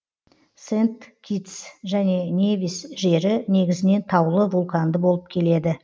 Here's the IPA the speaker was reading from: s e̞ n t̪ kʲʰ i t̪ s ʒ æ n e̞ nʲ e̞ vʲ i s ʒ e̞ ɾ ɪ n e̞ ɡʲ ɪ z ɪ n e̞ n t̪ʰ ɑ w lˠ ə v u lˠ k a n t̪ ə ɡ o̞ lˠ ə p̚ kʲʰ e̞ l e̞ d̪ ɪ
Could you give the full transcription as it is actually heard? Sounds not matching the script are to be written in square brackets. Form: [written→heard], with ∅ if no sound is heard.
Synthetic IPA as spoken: s e̞ n t̪ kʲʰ i t̪ s ʒ æ n e̞ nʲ e̞ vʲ i s ʒ e̞ ɾ ɪ n e̞ ɡʲ ɪ z ɪ n e̞ n t̪ʰ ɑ w lˠ ə v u lˠ k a n [t̪→d̪] ə [ɡ→b] o̞ lˠ ə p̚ kʲʰ e̞ l e̞ d̪ ɪ